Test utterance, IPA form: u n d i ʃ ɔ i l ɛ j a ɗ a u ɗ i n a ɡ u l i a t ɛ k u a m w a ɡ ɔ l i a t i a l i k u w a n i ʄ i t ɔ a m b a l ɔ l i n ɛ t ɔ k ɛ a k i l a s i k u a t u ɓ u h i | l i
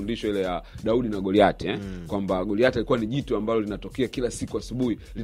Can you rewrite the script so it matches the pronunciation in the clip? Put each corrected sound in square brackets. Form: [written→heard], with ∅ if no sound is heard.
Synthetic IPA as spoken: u n d i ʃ ɔ i l ɛ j a ɗ a u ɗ i n a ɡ [u→ɔ] l i a t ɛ k [u→w] a m [w→b] a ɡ ɔ l i a t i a l i k u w a n i ʄ i t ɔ a m b a l ɔ l i n [ɛ→a] t ɔ k ɛ a k i l a s i k u a [t→s] u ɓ u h i | l i